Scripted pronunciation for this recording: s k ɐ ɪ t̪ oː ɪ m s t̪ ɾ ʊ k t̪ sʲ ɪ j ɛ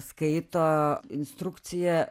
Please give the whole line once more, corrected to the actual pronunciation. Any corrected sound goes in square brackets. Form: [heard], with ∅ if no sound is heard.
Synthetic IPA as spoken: s k ɐ ɪ t̪ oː ɪ [n] s t̪ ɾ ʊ k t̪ sʲ ɪ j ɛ